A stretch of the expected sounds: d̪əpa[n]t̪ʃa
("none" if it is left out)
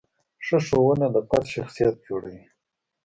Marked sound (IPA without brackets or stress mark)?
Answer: none